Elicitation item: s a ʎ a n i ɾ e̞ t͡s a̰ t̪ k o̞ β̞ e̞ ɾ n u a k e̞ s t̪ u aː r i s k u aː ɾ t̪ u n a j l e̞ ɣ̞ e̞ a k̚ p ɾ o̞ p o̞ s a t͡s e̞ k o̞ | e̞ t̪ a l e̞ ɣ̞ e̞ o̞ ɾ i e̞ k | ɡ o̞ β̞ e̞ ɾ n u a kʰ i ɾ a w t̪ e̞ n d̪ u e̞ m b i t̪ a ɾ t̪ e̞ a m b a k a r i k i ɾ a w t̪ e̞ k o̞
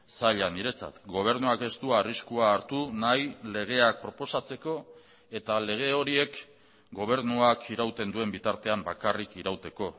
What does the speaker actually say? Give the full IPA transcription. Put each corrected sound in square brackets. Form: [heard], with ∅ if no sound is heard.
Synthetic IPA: s a ʎ a n i ɾ e̞ t͡s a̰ t̪ [ɡ] o̞ β̞ e̞ ɾ n u a k e̞ s t̪ u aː r i s k u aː ɾ t̪ u n a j l e̞ ɣ̞ e̞ a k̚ p ɾ o̞ p o̞ s a t͡s e̞ k o̞ | e̞ t̪ a l e̞ ɣ̞ e̞ o̞ ɾ i e̞ k | ɡ o̞ β̞ e̞ ɾ n u a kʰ i ɾ a w t̪ e̞ n d̪ u e̞ m b i t̪ a ɾ t̪ e̞ a m b a k a r i k i ɾ a w t̪ e̞ k o̞